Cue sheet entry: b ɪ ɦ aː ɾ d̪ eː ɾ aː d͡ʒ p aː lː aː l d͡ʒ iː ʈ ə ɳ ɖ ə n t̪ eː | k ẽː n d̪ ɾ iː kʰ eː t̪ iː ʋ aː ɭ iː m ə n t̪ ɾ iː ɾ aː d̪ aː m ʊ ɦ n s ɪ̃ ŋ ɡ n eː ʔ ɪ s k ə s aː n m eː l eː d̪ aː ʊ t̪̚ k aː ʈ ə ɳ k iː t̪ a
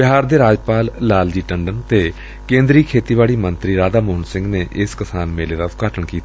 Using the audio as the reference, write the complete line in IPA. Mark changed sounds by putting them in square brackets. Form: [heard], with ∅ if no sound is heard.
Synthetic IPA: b ɪ ɦ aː ɾ d̪ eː ɾ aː d͡ʒ p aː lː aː l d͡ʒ iː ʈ ə ɳ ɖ ə n t̪ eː | k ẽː n d̪ ɾ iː kʰ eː t̪ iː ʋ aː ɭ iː m ə n t̪ ɾ iː ɾ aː d̪ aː m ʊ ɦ n s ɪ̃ ŋ ɡ n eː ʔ ɪ s k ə s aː n m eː l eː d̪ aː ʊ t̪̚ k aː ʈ ə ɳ k iː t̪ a